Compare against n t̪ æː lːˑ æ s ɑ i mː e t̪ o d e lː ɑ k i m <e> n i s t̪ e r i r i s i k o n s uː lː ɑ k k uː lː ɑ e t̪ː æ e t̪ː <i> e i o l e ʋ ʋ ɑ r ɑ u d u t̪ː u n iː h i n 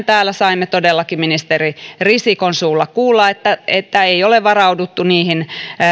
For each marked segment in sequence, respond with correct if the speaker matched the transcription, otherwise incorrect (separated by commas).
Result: incorrect, incorrect